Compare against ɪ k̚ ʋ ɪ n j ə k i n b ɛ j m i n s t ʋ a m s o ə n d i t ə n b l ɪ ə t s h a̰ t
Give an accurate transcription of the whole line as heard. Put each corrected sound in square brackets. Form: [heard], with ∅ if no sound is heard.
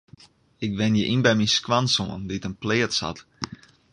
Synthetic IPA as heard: ɪ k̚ ʋ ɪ n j ə [ʔ] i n b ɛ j m i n s [k] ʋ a [n] s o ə n d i t ə n [p] l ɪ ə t s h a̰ t